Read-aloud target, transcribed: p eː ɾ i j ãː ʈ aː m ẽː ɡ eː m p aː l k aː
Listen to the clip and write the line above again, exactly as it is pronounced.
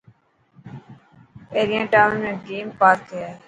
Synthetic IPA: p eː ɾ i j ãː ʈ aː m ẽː ɡ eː m p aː ɾ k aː